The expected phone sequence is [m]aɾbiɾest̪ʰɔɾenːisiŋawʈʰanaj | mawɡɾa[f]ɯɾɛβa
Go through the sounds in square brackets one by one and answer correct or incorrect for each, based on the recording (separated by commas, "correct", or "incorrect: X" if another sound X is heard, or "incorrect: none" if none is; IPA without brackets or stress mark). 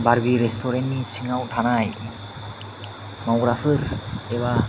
incorrect: b, correct